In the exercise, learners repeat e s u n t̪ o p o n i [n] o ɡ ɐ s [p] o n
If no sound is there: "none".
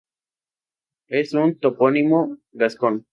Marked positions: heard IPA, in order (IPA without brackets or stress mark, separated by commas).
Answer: m, k